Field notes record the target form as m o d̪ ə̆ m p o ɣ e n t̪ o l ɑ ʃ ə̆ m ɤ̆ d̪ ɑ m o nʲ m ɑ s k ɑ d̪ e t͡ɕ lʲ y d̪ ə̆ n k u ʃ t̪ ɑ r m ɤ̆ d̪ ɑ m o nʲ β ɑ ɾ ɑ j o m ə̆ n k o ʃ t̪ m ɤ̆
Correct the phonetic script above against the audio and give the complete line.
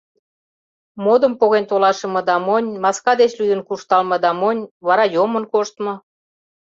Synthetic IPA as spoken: m o d̪ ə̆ m p o ɣ e n t̪ o l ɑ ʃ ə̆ m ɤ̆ d̪ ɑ m o nʲ m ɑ s k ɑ d̪ e t͡ɕ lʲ y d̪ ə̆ n k u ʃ t̪ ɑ l m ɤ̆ d̪ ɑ m o nʲ β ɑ ɾ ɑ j o m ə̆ n k o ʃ t̪ m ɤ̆